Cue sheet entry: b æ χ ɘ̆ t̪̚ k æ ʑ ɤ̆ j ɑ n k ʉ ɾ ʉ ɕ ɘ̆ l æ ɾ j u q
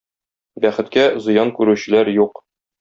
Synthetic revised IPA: b æ χ ɘ̆ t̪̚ k æ z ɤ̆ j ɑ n k ʉ ɾ ʉ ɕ ɘ̆ l æ ɾ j u q

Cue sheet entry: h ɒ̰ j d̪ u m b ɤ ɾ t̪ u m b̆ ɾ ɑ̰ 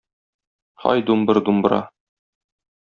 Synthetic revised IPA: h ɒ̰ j d̪ u m b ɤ ɾ d̪ u m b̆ ɾ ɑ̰

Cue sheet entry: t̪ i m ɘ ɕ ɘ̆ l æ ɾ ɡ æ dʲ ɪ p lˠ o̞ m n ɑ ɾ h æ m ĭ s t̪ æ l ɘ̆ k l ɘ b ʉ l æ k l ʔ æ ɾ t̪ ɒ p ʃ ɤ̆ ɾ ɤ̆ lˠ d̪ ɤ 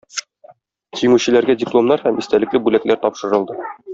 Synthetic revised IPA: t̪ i m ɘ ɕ ɘ̆ l æ ɾ ɡ æ dʲ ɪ p lˠ o̞ m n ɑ ɾ h æ m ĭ s t̪ æ l ɘ̆ k l ɘ b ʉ l æ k l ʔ æ ɾ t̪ ɒ p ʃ ɤ̆ ɾ ɤ̆ lˠ d̪ ɤ

